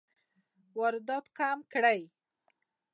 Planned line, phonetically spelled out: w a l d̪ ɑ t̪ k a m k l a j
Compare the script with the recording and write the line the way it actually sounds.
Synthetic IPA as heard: w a ɾ d̪ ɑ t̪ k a m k ɽ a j